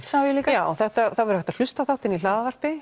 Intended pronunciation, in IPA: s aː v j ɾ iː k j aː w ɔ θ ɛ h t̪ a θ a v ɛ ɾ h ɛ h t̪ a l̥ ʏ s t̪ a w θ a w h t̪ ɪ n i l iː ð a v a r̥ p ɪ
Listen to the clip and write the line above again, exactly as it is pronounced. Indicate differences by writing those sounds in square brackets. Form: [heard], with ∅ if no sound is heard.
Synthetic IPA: s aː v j [l] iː k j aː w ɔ θ ɛ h t̪ a θ a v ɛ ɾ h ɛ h t̪ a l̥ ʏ s t̪ a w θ a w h t̪ ɪ n i l [aː] ð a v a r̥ p ɪ